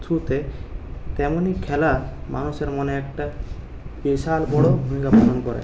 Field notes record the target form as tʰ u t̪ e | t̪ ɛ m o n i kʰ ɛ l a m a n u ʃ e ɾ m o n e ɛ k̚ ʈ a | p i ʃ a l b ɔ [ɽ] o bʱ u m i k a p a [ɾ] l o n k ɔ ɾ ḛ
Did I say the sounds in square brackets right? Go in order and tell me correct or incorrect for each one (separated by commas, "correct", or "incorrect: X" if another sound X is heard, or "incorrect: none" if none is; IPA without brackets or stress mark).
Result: correct, incorrect: none